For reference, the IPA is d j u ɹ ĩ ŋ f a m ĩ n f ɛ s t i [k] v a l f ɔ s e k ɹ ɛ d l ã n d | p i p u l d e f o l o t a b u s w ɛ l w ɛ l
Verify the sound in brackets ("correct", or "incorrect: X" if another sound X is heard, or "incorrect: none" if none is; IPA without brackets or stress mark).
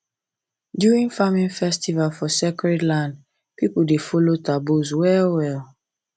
incorrect: none